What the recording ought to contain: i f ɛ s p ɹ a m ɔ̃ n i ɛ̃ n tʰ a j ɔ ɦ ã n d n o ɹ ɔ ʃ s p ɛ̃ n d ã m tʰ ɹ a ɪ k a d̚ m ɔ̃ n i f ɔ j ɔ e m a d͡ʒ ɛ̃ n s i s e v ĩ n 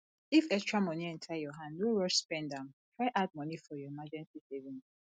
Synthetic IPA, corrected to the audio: i f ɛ s t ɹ a m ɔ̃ n i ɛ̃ n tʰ a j ɔ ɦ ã n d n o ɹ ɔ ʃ s p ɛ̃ n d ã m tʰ ɹ a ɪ ʔ a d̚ m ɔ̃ n i f ɔ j ɔ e m a d͡ʒ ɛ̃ n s i s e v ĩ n